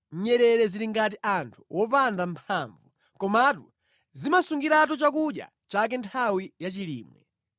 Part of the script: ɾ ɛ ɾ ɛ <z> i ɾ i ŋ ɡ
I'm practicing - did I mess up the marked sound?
no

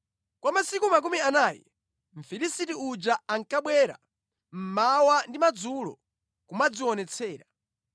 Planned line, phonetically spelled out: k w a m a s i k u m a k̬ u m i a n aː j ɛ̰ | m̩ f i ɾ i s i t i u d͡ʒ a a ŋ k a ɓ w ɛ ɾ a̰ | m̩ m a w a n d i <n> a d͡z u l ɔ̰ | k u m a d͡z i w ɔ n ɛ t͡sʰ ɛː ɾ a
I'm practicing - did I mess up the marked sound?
yes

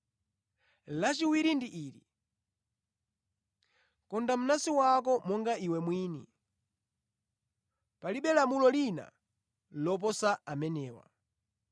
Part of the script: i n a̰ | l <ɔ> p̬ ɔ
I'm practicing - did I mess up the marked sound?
no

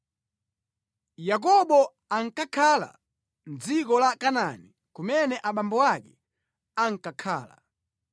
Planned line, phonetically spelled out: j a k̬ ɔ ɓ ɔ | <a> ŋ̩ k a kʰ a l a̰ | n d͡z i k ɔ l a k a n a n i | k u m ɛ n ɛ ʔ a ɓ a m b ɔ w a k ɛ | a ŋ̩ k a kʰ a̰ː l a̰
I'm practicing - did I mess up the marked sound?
no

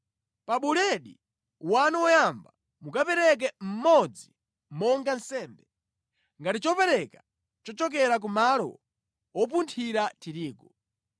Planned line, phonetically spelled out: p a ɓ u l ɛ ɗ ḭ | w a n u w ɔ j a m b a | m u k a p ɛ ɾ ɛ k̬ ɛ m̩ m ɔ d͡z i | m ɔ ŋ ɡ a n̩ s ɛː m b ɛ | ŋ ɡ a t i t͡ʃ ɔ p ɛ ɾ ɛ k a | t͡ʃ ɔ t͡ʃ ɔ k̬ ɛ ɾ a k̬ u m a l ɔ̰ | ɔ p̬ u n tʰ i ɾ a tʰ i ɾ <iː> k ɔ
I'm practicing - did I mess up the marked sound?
no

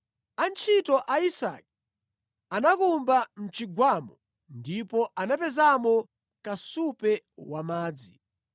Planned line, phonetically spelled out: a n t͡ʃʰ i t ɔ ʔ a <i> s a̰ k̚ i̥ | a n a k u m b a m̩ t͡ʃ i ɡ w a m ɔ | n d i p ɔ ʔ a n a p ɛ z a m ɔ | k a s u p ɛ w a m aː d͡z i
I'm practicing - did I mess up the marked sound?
no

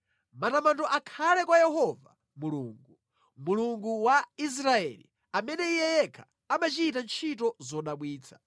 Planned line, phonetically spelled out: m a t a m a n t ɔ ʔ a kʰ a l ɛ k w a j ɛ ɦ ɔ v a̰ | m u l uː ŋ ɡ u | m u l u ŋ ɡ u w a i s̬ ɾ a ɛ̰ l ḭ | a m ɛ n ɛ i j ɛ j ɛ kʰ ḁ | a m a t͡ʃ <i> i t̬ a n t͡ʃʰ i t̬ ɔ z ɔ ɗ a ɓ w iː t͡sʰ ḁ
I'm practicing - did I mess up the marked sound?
no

